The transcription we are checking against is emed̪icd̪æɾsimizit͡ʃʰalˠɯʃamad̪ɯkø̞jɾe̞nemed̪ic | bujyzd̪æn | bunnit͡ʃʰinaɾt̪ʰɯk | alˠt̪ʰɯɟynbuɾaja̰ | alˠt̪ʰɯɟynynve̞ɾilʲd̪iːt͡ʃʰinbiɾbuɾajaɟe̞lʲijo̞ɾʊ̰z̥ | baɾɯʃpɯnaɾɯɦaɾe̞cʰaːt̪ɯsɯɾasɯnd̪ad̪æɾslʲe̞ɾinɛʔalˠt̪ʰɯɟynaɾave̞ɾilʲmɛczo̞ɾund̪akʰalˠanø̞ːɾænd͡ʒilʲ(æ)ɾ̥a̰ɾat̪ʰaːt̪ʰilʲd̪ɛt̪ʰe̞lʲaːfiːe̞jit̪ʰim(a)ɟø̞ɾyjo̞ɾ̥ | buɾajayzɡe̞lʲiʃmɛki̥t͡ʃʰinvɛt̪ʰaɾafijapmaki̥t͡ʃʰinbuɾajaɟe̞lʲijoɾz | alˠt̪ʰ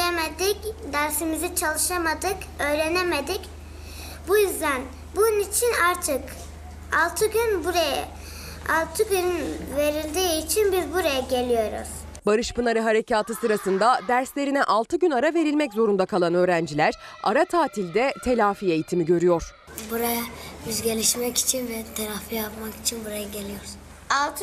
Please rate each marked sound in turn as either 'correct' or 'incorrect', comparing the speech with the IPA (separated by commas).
correct, incorrect